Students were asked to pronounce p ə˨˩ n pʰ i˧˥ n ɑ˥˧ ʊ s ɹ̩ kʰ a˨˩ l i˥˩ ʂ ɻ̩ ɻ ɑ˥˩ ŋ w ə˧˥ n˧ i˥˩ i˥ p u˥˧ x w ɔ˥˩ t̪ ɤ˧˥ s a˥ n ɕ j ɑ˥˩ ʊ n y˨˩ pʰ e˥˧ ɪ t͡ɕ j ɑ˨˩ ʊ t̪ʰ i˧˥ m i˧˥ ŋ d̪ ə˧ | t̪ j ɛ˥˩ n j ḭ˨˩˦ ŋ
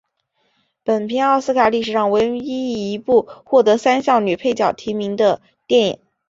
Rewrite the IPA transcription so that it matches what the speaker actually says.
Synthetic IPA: p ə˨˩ n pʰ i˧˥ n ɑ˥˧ ʊ s ɹ̩ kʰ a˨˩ l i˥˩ ʂ ɻ̩ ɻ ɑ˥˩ ŋ w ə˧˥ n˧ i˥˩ i˧˥ p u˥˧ x w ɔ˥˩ t̪ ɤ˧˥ s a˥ n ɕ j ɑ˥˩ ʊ n y˨˩ pʰ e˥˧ ɪ t͡ɕ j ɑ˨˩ ʊ t̪ʰ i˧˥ m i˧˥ ŋ d̪ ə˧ | t̪ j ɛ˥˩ n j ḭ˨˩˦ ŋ